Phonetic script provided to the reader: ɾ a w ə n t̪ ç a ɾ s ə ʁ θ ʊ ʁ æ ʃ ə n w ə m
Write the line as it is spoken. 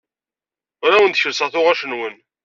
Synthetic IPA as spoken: ɾ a w ə n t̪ ç ə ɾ s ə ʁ θ ʊ ʁ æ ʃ ə n w ə n